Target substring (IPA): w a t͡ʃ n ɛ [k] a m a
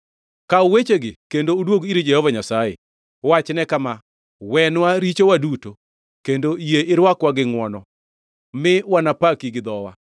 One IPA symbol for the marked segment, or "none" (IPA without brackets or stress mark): k